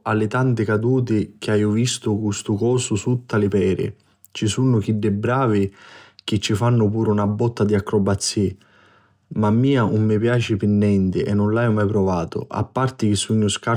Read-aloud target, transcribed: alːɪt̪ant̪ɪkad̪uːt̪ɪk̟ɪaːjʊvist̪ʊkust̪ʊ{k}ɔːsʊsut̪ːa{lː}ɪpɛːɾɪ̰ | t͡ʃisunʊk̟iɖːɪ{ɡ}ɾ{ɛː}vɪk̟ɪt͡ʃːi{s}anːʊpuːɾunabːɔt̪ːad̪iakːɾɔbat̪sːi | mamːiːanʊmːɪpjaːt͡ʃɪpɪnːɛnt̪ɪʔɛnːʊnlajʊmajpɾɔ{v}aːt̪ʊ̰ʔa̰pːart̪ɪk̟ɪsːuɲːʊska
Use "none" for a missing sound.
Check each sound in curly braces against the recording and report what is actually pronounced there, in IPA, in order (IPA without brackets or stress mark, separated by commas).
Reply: k, l, b, aː, f, v